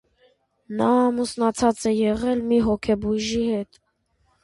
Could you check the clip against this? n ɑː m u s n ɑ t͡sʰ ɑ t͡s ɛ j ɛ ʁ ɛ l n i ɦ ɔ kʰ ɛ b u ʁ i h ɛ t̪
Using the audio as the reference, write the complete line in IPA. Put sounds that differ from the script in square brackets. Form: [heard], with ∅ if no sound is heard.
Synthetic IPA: n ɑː m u s n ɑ t͡sʰ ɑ t͡s ɛ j ɛ ʁ ɛ l [m] i ɦ ɔ kʰ ɛ b u [ʒ] i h ɛ t̪